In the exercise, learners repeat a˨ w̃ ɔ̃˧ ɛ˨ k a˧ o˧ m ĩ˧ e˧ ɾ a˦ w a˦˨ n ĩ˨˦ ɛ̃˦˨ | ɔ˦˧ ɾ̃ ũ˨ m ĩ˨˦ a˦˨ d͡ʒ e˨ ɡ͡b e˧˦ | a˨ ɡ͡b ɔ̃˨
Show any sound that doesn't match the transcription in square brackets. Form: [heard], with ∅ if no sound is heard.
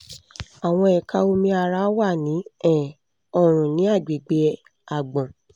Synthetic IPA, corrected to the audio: a˨ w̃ ɔ̃˧ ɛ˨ k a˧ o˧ m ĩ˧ [a˧] ɾ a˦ w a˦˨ n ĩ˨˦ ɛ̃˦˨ | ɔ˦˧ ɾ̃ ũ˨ [n] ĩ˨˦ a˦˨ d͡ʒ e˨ ɡ͡b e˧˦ | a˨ ɡ͡b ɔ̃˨